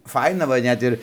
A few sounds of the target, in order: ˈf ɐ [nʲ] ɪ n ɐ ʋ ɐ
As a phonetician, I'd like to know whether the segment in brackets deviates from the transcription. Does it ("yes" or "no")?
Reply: yes